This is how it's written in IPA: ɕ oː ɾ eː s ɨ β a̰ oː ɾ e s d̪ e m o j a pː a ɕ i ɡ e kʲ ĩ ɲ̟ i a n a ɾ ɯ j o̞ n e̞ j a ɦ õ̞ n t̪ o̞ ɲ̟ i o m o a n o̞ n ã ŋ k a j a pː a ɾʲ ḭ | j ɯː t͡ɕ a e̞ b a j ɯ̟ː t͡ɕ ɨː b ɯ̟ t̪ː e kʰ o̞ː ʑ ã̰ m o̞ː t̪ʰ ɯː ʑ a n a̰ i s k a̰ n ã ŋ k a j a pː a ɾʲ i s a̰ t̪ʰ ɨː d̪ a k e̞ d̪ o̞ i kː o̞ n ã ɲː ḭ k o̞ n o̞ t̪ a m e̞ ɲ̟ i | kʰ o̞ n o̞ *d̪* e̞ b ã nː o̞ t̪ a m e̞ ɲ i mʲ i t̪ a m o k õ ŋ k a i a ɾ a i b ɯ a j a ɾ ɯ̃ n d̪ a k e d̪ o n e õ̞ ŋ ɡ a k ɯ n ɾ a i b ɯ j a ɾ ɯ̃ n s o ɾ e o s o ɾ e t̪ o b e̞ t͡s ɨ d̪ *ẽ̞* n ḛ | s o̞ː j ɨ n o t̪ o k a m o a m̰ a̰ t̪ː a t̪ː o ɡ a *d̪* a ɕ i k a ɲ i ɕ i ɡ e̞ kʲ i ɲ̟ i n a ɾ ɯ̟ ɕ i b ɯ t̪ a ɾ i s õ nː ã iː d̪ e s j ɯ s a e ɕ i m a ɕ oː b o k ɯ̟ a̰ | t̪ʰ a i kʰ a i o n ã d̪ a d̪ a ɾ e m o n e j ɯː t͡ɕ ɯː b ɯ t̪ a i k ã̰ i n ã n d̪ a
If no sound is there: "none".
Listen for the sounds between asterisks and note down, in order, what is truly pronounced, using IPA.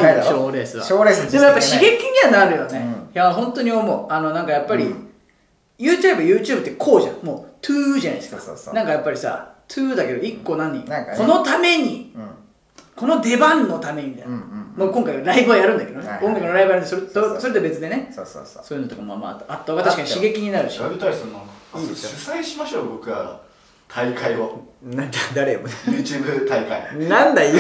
d̪, e̞, t̪

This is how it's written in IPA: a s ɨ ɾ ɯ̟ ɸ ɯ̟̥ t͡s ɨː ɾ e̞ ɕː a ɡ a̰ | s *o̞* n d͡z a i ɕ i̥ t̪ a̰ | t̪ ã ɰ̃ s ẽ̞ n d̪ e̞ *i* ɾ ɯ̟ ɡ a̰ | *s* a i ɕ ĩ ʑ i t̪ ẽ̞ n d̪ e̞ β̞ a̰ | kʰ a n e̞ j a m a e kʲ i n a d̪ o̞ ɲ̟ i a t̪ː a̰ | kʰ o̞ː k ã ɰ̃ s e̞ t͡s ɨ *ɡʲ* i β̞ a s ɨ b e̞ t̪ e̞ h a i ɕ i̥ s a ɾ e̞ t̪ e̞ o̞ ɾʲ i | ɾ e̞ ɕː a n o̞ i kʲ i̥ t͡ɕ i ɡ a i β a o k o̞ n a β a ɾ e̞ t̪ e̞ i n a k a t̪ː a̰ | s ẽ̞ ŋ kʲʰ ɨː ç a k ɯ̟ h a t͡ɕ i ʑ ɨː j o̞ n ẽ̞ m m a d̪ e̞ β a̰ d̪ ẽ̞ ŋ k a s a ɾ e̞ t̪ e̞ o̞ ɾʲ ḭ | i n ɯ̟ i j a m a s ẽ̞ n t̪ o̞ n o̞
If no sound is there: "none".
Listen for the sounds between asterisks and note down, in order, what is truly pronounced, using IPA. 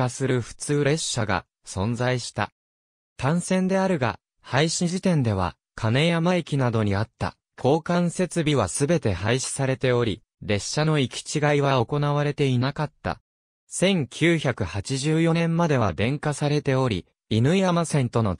õ̞, a, h, bʲ

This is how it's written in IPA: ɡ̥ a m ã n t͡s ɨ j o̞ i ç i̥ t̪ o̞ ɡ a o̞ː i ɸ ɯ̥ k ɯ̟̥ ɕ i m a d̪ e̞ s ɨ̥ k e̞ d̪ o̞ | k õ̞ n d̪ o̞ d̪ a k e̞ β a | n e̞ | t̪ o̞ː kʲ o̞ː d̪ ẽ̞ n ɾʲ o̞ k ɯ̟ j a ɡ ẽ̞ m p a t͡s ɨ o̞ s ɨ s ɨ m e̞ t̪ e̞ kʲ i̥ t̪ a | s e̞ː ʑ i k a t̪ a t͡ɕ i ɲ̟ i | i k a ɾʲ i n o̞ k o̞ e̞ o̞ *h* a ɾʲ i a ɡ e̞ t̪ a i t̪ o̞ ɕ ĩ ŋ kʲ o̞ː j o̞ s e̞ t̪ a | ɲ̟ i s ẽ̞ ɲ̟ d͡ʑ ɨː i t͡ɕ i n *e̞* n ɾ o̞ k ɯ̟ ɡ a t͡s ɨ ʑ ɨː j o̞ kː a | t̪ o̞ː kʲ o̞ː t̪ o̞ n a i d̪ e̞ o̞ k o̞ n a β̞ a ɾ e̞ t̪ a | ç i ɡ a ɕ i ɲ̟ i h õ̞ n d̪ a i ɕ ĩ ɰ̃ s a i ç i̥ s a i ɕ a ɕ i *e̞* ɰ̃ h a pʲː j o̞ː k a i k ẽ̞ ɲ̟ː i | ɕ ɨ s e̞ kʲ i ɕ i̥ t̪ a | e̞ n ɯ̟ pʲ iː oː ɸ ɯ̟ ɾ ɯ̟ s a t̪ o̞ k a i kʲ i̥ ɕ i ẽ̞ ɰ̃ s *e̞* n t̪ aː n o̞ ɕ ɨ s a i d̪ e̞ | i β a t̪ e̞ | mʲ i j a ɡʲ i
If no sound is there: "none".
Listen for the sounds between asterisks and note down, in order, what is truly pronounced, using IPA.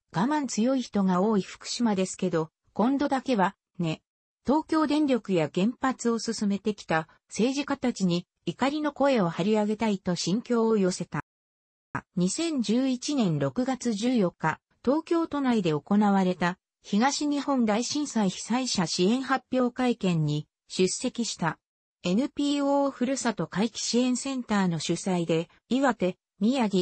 h, ẽ̞, ẽ̞, ẽ̞

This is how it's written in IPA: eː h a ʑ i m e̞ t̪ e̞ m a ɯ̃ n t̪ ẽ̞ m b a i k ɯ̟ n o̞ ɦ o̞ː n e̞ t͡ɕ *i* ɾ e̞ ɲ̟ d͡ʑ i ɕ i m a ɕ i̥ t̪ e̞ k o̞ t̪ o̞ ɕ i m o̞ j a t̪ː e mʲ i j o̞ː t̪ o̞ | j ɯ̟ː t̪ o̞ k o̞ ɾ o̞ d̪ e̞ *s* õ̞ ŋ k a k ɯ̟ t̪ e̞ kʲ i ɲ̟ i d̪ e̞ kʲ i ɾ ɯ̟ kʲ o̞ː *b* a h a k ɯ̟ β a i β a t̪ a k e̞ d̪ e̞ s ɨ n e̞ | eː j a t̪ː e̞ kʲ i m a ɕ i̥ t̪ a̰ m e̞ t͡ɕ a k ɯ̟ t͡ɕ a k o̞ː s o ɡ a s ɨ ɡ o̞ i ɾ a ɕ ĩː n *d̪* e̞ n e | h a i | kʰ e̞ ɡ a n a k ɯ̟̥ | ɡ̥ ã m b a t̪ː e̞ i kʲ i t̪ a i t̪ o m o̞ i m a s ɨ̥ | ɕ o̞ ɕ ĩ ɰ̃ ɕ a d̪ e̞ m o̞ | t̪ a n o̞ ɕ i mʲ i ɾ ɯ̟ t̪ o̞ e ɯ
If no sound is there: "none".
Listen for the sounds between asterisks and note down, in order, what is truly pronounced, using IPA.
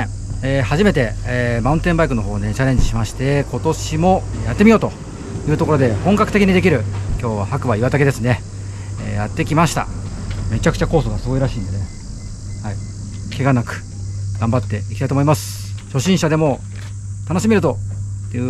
a, h, β, d̪

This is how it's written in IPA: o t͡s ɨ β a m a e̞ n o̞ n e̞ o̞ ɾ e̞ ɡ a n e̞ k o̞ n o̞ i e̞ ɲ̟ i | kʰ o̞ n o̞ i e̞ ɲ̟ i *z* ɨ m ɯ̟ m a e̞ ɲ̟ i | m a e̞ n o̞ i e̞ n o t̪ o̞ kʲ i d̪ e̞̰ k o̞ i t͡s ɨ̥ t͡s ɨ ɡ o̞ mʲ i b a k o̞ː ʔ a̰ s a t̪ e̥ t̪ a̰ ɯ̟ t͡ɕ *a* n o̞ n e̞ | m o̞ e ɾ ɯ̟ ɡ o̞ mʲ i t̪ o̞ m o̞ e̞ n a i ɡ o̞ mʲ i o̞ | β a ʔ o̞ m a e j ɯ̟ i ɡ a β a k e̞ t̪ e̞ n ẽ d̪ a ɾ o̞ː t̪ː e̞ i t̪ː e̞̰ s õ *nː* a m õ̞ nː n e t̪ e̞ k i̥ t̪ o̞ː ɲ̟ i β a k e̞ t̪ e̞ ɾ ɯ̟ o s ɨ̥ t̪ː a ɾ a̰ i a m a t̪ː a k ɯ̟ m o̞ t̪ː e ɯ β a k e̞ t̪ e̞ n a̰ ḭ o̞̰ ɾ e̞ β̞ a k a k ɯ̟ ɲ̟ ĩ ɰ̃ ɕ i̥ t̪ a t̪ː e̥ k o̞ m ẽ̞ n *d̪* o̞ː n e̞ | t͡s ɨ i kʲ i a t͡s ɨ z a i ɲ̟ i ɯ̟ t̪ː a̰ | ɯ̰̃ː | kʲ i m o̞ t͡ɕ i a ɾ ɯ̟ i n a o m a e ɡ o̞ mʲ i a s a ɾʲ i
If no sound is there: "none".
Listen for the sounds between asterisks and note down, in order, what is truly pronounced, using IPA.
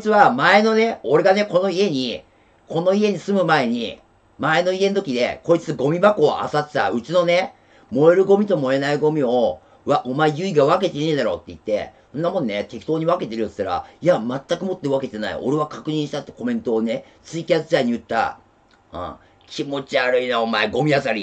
s, i, nː, t̪

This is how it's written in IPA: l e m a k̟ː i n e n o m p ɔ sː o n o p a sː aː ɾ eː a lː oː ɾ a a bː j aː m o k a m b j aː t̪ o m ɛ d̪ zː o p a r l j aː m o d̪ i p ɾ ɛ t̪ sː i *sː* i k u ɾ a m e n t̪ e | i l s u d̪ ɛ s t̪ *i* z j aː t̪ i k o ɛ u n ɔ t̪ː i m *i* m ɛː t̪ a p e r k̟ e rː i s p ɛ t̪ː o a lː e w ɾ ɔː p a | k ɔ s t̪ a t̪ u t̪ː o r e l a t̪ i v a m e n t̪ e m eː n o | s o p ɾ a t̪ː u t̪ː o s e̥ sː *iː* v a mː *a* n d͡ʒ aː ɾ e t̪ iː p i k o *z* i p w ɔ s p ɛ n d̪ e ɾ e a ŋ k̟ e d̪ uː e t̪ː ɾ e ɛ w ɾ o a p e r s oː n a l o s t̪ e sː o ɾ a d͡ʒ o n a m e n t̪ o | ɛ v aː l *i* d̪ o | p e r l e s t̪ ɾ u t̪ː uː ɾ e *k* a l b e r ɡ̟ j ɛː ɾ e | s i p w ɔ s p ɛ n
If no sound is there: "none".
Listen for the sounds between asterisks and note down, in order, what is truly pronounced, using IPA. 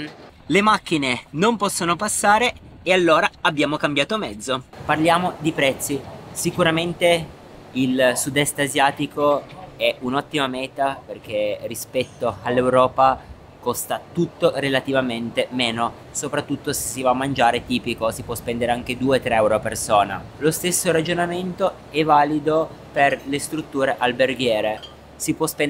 s, a, a, i, a, s, i, ʔ

